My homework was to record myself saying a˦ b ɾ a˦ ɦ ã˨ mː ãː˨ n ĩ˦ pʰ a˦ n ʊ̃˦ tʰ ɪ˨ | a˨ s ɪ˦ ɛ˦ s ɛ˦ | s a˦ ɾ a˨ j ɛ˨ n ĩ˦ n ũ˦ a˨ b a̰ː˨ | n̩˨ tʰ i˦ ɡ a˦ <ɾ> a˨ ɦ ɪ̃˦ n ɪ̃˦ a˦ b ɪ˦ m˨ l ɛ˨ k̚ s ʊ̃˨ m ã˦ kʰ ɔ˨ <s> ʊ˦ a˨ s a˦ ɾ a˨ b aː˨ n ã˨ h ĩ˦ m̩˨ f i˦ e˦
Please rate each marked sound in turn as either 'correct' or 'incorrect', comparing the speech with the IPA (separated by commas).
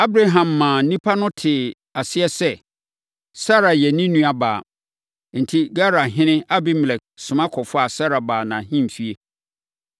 correct, incorrect